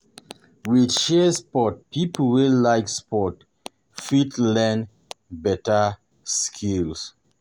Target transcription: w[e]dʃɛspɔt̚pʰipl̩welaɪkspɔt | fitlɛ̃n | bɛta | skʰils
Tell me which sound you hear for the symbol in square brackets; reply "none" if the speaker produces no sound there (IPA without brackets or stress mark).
i